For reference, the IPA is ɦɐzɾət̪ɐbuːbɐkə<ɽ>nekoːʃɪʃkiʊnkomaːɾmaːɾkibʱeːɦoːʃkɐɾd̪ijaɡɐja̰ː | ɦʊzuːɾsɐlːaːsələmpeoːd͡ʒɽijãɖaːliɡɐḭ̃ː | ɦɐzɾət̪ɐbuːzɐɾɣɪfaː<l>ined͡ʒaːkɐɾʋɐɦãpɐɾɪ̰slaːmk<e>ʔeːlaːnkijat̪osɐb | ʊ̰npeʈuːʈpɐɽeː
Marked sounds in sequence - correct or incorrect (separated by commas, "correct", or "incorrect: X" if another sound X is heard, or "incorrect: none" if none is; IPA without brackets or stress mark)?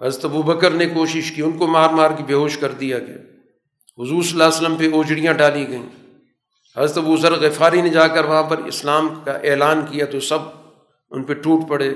incorrect: ɾ, incorrect: ɾ, incorrect: a